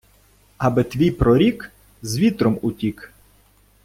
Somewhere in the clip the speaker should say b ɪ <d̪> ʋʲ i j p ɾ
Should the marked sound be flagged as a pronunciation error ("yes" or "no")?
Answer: yes